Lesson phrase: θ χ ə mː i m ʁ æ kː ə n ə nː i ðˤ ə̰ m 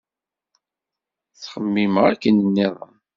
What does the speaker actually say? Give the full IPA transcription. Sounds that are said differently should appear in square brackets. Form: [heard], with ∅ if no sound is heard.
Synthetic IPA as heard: θ χ ə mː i m ʁ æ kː ə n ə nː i ðˤ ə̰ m